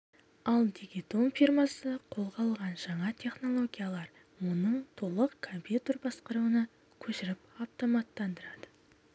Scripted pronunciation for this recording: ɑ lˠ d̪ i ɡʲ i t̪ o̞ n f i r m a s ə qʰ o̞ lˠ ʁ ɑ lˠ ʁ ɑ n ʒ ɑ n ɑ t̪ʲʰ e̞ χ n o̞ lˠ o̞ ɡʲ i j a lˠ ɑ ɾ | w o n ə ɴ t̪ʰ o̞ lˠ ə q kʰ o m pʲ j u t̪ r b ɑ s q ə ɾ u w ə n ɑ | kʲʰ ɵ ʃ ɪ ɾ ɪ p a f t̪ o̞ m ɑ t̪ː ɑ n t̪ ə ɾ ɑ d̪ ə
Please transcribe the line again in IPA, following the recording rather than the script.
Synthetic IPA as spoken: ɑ lˠ d̪ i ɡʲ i t̪ o̞ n f i r m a s ə qʰ o̞ lˠ ʁ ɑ lˠ ʁ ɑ n ʒ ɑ ɴ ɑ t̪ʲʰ e̞ χ n o̞ lˠ o̞ ɡʲ i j a lˠ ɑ ɾ | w o n ə ɴ t̪ʰ o̞ lˠ ə q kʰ o m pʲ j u t̪ r b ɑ s q ə ɾ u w ə n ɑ | kʲʰ ɵ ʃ ɪ ɾ ɪ p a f t̪ o̞ m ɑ t̪ː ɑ n d̪ ə ɾ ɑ d̪ ə